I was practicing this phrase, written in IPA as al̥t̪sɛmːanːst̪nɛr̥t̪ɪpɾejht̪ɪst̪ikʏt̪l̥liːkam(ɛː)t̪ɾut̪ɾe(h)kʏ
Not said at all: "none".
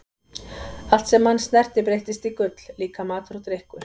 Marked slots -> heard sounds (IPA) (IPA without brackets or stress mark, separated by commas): aː, h